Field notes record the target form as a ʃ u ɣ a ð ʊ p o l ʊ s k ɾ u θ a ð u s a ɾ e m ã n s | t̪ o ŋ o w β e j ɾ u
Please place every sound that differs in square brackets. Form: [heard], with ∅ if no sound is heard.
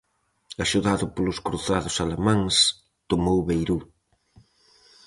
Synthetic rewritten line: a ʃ u [ð] a ð ʊ p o l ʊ s k ɾ u θ a ð [ʊ] s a [l] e m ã [ŋ] s | t̪ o [m] o w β e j ɾ u